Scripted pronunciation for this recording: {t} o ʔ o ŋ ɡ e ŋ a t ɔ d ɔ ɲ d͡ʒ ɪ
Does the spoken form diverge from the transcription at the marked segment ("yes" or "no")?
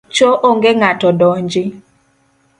yes